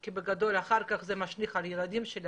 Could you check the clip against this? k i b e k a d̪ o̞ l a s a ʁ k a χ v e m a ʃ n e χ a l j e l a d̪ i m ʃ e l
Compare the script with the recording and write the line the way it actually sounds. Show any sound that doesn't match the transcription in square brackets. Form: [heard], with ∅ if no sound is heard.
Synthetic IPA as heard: k i b e [ɡ] a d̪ o̞ l a [χ] a ʁ k a χ [z] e m a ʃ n [i] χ a l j e l a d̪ i m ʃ e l